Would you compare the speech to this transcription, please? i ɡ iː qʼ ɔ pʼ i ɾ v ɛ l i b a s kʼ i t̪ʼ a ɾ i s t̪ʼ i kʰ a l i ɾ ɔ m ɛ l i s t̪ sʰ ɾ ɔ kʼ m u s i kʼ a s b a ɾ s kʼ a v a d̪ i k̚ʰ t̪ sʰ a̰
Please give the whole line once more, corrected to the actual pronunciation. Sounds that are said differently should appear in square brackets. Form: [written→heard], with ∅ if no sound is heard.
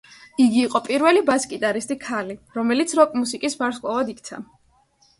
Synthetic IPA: i ɡ iː qʼ ɔ pʼ i ɾ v ɛ l i b a s kʼ i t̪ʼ a ɾ i s t̪ʼ i kʰ a l i ɾ ɔ m ɛ l i [s→∅] t̪ sʰ ɾ ɔ kʼ m u s i kʼ [a→i] s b a ɾ s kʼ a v a d̪ i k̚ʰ t̪ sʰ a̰